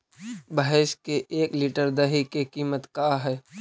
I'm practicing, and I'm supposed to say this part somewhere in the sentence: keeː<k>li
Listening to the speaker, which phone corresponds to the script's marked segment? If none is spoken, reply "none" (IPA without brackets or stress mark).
k